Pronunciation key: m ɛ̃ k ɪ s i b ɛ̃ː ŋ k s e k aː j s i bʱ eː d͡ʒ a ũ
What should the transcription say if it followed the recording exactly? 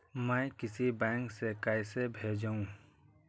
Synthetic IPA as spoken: m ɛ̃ k ɪ s i b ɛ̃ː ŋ k s e k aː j s e bʱ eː d͡ʒ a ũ